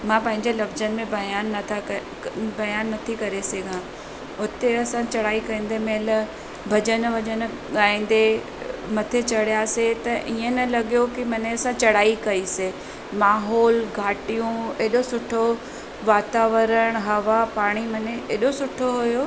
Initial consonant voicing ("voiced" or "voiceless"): voiced